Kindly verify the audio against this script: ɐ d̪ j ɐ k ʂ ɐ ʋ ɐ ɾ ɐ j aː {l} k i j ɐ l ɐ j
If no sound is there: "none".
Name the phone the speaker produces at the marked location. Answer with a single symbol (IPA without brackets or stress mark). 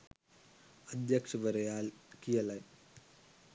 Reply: l